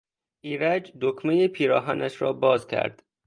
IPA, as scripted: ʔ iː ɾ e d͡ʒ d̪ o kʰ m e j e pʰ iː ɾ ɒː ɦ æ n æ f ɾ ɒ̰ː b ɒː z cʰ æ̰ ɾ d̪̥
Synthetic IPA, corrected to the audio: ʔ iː ɾ æ d͡ʒ d̪ o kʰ m e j e pʰ iː ɾ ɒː ɦ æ n æ ʃ ɾ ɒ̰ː b ɒː z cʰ æ̰ ɾ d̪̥